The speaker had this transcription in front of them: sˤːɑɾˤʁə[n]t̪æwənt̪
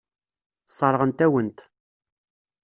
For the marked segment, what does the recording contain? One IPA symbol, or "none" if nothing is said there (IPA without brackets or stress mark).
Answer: n